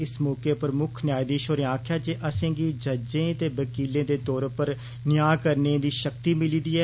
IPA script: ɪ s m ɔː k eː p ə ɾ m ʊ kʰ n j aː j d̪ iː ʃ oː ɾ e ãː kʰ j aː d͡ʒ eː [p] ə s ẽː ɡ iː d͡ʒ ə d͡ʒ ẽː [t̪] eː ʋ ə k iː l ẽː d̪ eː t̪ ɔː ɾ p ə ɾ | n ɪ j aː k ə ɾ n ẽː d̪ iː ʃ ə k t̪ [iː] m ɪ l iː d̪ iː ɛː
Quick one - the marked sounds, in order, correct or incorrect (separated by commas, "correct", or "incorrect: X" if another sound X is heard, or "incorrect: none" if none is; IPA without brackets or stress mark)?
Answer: incorrect: ʔ, correct, correct